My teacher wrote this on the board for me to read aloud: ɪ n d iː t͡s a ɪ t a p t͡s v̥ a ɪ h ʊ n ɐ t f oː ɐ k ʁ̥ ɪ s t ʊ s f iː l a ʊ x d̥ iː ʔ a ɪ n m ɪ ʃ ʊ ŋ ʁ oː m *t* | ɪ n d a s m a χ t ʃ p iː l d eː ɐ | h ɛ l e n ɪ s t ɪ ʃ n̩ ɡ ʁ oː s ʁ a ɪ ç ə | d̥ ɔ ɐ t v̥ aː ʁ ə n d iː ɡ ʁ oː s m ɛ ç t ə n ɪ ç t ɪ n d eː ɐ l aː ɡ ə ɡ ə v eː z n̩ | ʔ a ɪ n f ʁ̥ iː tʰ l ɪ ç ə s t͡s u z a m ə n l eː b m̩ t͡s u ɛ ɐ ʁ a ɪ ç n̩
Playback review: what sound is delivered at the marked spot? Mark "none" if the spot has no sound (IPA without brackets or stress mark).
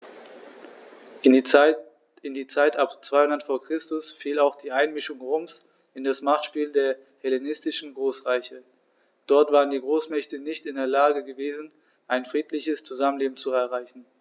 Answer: s